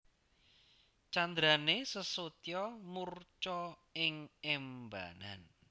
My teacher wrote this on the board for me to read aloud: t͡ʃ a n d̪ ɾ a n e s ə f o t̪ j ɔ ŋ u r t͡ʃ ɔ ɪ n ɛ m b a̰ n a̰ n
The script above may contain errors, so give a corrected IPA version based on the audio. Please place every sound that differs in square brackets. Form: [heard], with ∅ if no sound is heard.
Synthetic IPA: t͡ʃ a n d̪ ɾ a n e s ə [s] o t̪ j ɔ [m] u r t͡ʃ ɔ ɪ [ŋ] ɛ m b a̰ n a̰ n